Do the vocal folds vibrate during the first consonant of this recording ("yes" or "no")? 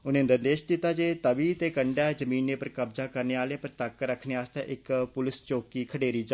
yes